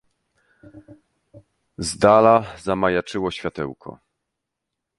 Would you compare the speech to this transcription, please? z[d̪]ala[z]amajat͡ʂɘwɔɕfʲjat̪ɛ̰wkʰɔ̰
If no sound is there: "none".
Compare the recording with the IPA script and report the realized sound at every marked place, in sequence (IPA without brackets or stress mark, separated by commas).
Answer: d̪, z